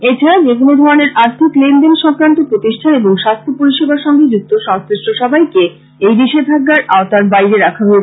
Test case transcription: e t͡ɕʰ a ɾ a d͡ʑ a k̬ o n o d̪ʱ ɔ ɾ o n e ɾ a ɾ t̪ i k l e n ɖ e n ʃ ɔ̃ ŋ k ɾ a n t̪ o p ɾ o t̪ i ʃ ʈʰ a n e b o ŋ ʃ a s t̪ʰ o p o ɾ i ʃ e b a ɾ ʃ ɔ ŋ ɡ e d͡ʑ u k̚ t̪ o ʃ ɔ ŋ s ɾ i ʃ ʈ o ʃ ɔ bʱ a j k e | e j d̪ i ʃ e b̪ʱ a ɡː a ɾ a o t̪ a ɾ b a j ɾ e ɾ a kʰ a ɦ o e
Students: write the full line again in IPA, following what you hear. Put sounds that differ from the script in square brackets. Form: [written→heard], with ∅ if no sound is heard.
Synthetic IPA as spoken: e t͡ɕʰ a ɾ a d͡ʑ [a→e] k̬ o n o d̪ʱ ɔ ɾ o n e ɾ a ɾ [t̪→t̪ʰ] i k l e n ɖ e n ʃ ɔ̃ ŋ k ɾ a n t̪ o p ɾ o t̪ i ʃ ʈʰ a n e b o ŋ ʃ a s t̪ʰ o p o ɾ i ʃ e b a ɾ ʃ ɔ ŋ ɡ e d͡ʑ u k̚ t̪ o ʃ ɔ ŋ s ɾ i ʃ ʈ o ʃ ɔ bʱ a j k e | e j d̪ i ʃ e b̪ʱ a ɡː a ɾ a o t̪ a ɾ b a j ɾ e ɾ a kʰ a ɦ o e